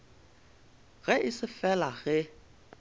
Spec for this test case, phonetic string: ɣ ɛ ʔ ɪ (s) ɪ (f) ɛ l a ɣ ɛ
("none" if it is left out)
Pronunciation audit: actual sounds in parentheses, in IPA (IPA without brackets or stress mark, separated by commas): s, f